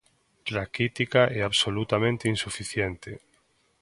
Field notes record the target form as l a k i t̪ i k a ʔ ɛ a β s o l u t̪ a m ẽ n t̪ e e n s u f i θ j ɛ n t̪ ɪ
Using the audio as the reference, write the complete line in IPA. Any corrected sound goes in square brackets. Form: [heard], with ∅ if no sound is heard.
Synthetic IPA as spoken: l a k i t̪ i k a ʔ ɛ a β s o l u t̪ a m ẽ n t̪ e [i] n s u f i θ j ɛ n t̪ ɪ